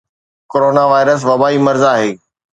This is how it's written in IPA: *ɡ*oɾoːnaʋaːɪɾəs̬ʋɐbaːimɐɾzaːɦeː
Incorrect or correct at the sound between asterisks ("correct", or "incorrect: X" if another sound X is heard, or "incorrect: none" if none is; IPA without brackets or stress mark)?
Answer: incorrect: k